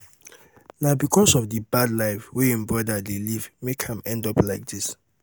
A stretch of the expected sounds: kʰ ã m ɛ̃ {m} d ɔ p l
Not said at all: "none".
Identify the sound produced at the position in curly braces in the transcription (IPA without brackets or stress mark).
n